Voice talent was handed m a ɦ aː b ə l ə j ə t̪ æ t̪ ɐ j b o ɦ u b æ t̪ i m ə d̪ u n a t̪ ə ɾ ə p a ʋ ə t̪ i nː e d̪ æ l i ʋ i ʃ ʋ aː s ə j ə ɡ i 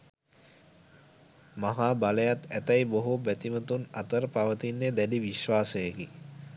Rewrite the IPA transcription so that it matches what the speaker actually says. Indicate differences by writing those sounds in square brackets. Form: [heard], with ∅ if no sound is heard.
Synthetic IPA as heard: m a ɦ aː b [a] l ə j [a] t̪ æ t̪ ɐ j b o ɦ u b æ t̪ i m ə [t̪] u n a t̪ ə ɾ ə p a ʋ ə t̪ i nː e d̪ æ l i ʋ i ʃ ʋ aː s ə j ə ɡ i